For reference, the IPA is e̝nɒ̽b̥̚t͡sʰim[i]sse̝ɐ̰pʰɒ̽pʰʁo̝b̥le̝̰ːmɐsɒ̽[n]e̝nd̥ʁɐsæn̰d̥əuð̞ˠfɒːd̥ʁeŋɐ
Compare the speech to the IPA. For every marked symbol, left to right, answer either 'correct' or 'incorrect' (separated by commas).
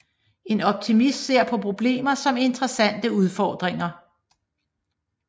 correct, incorrect